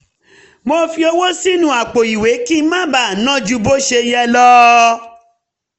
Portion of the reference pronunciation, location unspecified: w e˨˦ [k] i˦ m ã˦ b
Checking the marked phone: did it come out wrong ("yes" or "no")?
no